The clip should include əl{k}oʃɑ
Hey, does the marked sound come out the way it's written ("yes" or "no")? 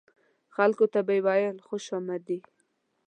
no